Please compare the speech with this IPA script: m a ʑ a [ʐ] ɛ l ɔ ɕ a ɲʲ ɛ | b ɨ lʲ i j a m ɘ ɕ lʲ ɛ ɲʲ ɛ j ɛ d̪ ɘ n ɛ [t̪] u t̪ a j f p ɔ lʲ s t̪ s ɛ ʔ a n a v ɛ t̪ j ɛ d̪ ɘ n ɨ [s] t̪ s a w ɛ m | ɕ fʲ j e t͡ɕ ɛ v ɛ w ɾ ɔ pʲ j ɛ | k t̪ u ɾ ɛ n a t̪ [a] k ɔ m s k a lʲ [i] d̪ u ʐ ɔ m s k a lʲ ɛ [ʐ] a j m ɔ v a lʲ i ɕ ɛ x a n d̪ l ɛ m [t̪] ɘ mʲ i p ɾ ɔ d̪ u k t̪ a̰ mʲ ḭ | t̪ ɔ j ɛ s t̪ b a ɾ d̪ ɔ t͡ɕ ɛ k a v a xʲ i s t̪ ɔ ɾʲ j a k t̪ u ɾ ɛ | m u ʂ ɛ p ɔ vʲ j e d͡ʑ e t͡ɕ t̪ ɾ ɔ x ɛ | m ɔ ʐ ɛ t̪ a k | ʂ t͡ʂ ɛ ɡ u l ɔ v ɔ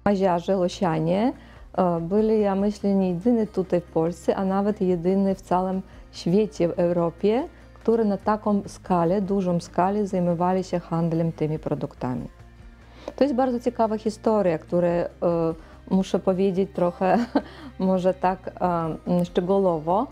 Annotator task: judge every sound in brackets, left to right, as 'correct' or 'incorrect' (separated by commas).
correct, correct, incorrect, correct, incorrect, incorrect, correct